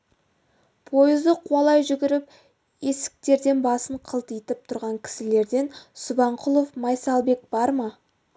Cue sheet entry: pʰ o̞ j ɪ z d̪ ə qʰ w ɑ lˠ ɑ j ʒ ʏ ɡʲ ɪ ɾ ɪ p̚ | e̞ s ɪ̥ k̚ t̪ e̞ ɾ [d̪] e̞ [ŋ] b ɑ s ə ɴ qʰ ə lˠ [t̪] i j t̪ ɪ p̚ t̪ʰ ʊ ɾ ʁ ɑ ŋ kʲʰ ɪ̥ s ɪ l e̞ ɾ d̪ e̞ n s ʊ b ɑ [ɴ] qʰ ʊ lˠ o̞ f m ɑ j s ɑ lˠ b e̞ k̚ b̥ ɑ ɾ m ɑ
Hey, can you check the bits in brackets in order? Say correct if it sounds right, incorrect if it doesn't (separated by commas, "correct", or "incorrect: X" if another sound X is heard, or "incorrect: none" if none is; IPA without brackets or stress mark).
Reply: correct, incorrect: n, correct, correct